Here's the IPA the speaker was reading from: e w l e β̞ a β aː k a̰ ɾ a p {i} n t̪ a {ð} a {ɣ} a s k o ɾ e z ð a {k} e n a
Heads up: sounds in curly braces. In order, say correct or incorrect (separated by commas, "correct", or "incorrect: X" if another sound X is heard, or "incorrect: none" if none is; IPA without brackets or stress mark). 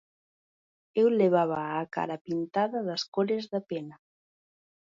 correct, correct, incorrect: ð, incorrect: p